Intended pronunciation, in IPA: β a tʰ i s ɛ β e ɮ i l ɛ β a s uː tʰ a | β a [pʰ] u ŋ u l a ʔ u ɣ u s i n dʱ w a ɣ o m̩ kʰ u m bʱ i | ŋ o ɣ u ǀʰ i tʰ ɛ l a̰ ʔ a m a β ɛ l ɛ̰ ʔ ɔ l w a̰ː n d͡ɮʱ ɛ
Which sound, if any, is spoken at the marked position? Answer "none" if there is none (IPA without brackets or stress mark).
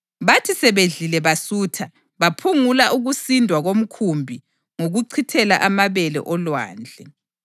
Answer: pʰ